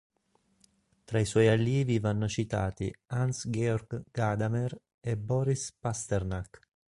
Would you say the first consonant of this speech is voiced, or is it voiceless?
voiceless